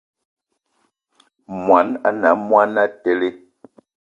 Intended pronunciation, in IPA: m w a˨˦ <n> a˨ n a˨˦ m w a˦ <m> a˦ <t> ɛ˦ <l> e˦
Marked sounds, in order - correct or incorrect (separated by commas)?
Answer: correct, incorrect, correct, correct